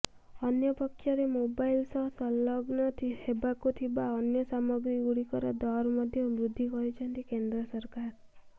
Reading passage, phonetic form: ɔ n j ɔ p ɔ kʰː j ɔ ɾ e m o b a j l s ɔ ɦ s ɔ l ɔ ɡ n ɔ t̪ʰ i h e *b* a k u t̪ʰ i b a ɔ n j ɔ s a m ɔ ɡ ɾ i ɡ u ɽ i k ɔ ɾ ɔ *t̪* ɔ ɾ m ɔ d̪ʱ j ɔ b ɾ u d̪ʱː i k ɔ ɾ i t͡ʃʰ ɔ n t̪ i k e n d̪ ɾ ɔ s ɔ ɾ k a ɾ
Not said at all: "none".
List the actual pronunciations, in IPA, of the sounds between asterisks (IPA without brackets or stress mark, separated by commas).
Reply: b, d̪